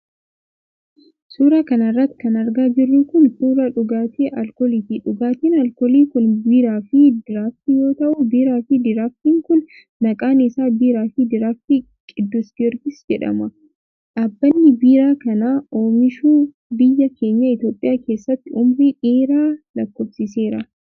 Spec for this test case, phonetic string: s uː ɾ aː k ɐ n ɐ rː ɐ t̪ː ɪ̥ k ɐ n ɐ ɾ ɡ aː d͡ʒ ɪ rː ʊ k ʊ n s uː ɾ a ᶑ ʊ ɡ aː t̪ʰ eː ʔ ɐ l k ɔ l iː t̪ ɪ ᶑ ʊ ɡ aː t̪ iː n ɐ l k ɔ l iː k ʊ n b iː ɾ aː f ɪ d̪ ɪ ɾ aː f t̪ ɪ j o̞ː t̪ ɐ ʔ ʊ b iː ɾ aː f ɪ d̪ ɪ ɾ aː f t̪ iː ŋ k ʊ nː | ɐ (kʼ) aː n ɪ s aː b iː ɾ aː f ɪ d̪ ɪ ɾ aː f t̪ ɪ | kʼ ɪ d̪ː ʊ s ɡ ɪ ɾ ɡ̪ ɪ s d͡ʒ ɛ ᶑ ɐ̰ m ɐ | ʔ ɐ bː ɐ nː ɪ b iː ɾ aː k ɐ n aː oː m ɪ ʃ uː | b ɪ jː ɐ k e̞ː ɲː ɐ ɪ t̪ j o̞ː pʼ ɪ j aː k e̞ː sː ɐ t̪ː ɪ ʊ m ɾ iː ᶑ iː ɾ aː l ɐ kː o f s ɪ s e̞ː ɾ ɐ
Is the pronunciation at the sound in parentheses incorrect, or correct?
correct